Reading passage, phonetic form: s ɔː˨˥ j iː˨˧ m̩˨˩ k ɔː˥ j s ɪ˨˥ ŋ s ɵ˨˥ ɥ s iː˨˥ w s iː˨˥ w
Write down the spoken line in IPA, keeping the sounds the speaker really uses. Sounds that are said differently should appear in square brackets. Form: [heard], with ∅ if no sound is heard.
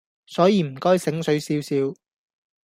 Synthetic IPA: s ɔː˨˥ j iː˨˧ m̩˨˩ k ɔː˥ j s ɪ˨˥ ŋ s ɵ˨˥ ɥ s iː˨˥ w s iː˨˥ w